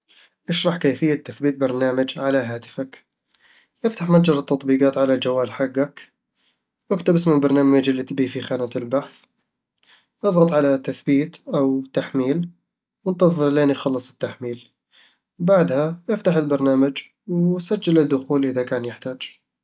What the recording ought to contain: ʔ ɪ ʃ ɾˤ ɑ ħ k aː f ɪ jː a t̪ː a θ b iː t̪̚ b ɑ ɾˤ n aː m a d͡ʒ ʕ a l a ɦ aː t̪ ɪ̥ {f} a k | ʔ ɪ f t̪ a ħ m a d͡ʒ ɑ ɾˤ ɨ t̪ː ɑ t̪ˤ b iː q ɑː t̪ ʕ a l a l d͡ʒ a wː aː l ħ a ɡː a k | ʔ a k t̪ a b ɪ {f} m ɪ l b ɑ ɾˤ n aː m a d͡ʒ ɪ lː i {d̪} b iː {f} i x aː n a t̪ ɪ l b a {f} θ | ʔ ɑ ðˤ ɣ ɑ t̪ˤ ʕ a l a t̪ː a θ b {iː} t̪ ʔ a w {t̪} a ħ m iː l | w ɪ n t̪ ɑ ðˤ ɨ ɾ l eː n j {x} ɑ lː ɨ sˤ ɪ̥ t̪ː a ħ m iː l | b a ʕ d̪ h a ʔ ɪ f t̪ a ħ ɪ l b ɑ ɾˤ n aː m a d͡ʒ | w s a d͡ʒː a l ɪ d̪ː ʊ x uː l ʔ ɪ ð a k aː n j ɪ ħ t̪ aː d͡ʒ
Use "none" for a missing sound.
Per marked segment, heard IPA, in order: f, s, t̪, f, ħ, iː, t̪, x

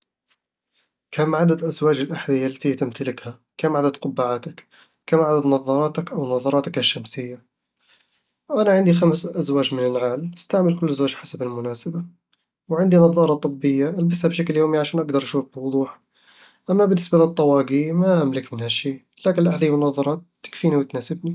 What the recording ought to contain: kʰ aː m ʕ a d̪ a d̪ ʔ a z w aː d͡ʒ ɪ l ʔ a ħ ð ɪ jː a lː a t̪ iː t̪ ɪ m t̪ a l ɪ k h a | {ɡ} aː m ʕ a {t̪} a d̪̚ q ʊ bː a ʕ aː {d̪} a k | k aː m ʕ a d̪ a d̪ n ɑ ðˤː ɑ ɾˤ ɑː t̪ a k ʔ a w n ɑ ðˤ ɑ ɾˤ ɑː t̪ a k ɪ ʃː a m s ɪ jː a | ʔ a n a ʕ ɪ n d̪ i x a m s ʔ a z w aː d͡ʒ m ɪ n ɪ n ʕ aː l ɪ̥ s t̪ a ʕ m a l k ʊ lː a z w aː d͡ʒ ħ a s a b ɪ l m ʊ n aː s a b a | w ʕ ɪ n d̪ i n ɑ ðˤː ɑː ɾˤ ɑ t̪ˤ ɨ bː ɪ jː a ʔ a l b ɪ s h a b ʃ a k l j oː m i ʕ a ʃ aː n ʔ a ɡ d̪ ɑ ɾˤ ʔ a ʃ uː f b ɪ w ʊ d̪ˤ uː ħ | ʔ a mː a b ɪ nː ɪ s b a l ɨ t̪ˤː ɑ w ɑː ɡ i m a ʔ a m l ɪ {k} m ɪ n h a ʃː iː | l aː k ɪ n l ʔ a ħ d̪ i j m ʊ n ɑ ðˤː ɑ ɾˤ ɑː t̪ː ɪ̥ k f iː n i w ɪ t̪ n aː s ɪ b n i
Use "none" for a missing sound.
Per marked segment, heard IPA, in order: k, d̪, t̪, k

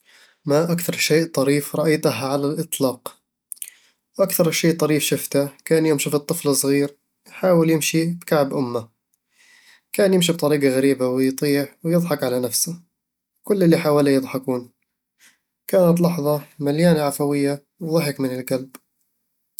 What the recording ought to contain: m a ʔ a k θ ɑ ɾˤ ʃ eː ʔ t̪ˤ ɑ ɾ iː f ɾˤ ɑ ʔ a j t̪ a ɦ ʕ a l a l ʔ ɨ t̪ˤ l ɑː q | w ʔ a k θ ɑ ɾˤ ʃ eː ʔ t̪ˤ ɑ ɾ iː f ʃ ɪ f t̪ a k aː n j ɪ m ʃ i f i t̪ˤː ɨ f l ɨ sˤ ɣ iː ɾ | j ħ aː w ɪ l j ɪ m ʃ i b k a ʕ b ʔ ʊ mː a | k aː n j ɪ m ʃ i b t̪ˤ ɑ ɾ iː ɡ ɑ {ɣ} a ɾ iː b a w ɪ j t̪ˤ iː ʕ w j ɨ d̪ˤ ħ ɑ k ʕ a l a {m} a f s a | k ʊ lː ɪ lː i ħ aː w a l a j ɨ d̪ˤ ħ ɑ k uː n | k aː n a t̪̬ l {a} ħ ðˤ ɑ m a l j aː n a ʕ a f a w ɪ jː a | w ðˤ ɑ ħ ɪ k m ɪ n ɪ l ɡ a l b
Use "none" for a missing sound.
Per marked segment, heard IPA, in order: ɣ, n, ɑ

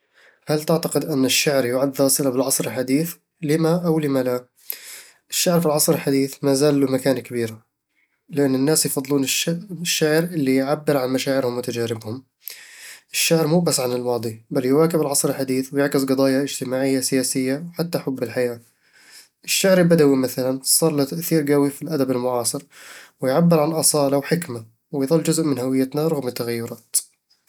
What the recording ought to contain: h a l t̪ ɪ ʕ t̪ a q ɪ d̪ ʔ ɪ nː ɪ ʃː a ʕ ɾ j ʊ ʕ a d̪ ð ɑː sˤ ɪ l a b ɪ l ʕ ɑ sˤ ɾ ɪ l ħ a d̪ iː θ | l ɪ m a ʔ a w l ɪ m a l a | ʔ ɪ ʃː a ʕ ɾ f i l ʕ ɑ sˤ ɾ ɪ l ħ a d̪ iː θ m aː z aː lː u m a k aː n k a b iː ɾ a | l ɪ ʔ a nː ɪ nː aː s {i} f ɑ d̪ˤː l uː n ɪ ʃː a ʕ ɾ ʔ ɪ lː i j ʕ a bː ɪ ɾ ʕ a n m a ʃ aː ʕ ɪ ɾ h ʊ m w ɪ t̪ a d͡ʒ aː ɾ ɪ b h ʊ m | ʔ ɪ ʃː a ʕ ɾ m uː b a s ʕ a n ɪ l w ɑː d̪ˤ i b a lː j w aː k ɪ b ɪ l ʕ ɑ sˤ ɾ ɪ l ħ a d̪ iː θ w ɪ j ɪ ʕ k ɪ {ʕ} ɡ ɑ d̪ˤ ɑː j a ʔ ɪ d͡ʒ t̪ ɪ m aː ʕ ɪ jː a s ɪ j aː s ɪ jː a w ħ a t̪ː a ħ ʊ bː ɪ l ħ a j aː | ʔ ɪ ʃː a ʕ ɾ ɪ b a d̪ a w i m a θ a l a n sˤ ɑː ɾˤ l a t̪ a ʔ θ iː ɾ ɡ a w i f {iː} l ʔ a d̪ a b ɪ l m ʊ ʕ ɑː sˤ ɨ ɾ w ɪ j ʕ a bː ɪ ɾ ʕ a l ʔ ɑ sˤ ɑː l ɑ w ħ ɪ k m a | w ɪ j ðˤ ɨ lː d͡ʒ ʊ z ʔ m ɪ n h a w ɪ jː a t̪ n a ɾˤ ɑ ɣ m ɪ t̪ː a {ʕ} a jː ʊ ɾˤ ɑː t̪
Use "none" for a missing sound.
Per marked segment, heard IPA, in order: j, z, i, ɣ

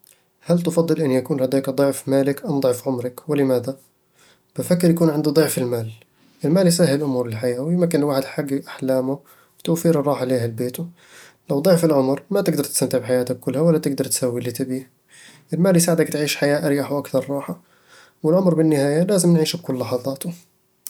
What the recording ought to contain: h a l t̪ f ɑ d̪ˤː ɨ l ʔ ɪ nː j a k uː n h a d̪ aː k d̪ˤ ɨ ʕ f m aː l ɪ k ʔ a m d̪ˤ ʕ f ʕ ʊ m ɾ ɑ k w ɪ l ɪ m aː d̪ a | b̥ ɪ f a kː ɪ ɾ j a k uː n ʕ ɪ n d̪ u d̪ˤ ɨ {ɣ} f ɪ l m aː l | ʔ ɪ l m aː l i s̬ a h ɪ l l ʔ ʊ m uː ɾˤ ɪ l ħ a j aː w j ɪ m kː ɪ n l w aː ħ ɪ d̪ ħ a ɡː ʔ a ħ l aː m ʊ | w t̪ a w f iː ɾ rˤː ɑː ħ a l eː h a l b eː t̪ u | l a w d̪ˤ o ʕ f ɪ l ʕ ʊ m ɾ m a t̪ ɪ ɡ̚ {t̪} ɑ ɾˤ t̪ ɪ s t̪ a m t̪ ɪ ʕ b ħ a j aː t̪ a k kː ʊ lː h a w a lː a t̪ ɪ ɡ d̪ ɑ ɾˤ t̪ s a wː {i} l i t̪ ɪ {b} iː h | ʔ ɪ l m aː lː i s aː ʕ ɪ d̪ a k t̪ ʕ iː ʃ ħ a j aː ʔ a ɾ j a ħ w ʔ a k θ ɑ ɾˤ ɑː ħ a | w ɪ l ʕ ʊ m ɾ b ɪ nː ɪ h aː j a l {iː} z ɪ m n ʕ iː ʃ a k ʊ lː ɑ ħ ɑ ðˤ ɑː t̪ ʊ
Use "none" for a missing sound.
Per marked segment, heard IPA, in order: ʕ, d̪, i, b, aː

